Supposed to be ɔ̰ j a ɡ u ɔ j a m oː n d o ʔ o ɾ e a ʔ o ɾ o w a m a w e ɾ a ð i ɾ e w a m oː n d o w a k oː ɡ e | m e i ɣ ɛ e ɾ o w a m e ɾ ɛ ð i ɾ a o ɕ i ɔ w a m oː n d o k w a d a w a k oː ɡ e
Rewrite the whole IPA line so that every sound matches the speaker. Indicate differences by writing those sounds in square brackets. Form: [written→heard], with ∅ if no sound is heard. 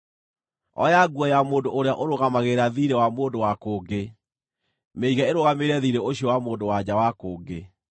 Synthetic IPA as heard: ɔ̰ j a ɡ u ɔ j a m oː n d o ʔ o ɾ e a ʔ o ɾ o [w→ɣ] a m a [w→ɣ] e ɾ a ð i ɾ e w a m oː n d o w a k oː ɡ e | m e i ɣ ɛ e ɾ o [w→ɣ] a m e ɾ ɛ ð i ɾ [a→e] o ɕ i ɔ w a m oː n d o [k→∅] w a [d→d͡ʑ] a w a k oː ɡ e